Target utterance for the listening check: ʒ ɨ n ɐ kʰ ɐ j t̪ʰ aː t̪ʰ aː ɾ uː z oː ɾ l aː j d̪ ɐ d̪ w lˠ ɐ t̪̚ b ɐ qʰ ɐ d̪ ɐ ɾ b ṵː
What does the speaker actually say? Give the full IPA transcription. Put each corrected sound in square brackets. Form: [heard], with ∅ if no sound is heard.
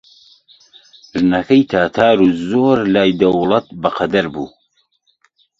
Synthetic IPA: ʒ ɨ n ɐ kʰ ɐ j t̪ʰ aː t̪ʰ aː ɾ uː z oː ɾ l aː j d̪ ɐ [∅] w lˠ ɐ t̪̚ b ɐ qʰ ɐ d̪ ɐ ɾ b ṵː